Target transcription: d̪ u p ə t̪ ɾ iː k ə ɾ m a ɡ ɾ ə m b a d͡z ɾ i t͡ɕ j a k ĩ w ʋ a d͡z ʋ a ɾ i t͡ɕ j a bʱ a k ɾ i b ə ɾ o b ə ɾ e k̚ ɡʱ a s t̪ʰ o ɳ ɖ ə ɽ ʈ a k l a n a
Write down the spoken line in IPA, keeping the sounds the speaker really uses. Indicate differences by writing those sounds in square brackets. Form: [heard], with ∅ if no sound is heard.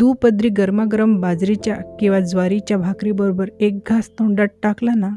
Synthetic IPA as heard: d̪ u p ə [d̪] ɾ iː [ɡ] ə ɾ m a ɡ ɾ ə m b a d͡z ɾ i t͡ɕ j a k ĩ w ʋ a d͡z ʋ a ɾ i t͡ɕ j a bʱ a k ɾ i b ə ɾ o b ə ɾ e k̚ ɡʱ a s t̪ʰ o ɳ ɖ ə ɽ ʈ a k l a n a